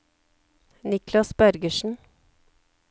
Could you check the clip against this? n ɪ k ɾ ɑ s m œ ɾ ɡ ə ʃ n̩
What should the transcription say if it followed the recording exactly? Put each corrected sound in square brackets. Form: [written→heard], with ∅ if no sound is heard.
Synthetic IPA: n ɪ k [ɾ→l] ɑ s [m→b] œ ɾ ɡ ə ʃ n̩